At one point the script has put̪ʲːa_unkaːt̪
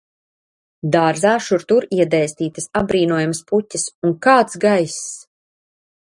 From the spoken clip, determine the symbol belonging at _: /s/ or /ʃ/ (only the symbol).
s